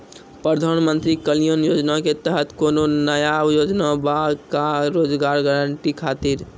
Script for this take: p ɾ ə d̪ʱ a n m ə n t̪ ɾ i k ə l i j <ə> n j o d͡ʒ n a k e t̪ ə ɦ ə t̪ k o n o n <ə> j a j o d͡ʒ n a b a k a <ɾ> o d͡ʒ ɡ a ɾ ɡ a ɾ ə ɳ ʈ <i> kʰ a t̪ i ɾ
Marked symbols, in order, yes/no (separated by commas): yes, yes, yes, yes